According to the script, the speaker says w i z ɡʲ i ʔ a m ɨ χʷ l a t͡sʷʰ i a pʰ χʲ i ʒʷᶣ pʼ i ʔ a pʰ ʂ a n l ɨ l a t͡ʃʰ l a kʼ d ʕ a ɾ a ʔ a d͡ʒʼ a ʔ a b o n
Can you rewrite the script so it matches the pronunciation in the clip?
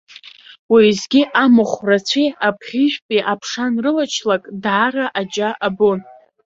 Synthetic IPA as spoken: w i z ɡʲ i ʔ a m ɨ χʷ r a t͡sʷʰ i a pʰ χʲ i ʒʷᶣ pʼ i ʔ a pʰ ʂ a n r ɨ l a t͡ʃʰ l a kʼ d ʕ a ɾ a ʔ a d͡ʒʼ a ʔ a b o n